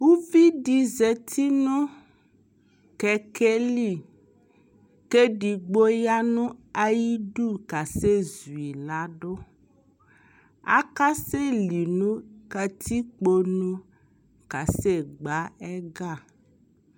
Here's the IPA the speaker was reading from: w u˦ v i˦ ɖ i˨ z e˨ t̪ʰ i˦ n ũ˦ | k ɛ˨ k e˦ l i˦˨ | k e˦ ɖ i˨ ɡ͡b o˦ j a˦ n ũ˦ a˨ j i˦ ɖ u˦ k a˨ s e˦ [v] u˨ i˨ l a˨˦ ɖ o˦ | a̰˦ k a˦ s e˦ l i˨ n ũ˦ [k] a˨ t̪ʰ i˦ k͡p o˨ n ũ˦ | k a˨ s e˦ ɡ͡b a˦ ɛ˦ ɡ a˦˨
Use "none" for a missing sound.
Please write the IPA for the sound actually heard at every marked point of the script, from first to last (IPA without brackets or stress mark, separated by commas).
z, k